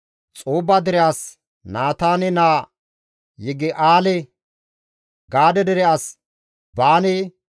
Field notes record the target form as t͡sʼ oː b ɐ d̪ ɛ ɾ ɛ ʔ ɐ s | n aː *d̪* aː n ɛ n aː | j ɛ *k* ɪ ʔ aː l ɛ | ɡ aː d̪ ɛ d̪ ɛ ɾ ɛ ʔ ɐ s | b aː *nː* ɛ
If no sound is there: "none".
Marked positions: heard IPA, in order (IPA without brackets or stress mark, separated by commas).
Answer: t̪, ɡ, n